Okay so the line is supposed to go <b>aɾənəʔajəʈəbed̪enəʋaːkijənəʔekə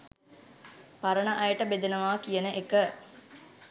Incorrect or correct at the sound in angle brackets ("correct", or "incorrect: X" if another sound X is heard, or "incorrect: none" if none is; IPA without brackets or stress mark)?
incorrect: p